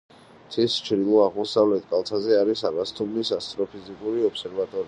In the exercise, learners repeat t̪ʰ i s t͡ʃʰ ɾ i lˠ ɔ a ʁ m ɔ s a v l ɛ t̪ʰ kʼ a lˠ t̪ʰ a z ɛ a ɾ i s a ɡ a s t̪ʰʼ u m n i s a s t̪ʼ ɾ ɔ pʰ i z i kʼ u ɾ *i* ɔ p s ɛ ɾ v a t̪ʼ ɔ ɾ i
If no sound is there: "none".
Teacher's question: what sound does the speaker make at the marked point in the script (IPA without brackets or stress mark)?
i